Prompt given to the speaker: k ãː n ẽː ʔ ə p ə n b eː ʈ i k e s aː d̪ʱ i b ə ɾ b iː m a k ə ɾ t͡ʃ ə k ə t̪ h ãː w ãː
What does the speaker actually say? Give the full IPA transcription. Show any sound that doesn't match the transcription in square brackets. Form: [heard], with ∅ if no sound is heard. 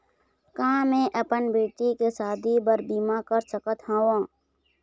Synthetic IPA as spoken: k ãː [m] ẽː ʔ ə p ə n b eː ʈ i k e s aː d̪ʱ i b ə ɾ b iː m a k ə ɾ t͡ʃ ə k ə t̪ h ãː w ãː